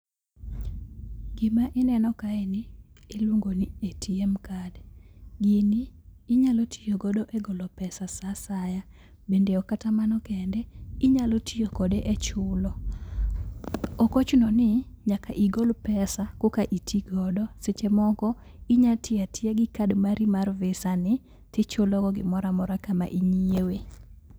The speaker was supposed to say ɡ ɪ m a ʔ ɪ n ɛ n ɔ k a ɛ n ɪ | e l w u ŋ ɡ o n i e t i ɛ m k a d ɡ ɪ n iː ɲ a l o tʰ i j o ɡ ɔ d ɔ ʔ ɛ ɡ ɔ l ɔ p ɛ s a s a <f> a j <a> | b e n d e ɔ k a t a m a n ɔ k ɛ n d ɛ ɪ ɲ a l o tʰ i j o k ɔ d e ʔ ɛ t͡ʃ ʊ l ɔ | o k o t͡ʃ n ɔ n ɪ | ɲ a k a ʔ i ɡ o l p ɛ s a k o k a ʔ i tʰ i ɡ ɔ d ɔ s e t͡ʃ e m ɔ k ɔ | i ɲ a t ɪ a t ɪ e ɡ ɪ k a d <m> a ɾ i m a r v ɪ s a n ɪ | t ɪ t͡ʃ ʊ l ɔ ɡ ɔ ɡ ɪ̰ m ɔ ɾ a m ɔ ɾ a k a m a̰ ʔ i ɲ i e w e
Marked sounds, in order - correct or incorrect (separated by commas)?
incorrect, correct, correct